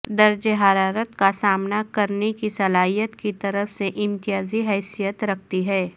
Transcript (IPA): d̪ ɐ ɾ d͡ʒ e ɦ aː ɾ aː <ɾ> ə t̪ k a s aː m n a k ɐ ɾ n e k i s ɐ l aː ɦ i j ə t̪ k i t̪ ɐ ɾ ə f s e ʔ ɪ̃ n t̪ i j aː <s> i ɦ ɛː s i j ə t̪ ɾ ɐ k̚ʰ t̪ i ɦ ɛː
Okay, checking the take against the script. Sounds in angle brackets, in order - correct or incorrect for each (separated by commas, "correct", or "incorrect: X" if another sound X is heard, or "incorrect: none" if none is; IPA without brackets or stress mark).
correct, incorrect: z